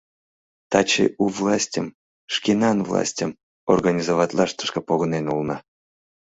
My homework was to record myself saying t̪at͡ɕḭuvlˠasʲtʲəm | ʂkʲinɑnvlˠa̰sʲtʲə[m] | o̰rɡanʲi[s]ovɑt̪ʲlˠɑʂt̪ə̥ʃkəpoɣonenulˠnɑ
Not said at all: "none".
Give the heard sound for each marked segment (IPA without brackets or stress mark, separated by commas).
m, z